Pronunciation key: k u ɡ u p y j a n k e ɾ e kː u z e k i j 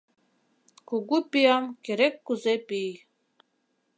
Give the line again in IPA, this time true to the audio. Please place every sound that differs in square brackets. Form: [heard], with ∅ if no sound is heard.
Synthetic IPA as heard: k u ɡ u p [i] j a [m] k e ɾ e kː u z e [p] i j